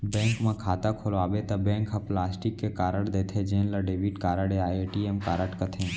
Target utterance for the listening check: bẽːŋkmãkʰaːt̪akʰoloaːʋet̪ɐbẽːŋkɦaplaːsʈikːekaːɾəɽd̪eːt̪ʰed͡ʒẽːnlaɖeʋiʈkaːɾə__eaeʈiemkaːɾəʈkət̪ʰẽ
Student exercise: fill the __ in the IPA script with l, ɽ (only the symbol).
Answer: ɽ